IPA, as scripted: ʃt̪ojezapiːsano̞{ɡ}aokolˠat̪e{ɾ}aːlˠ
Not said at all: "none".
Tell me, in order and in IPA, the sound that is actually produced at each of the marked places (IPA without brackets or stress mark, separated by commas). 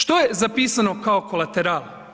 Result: k, ɾ